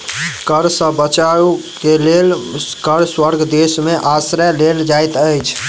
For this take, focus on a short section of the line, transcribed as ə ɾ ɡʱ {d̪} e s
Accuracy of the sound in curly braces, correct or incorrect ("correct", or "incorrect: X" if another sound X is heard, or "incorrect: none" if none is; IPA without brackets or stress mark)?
correct